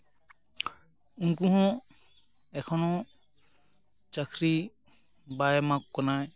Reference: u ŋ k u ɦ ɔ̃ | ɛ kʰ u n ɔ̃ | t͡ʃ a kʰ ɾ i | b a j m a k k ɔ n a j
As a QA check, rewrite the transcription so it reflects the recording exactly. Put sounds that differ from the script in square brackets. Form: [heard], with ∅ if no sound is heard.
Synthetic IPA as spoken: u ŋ k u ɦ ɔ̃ | ɛ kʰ [ɔ] n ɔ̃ | t͡ʃ a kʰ ɾ i | b a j m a k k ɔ n a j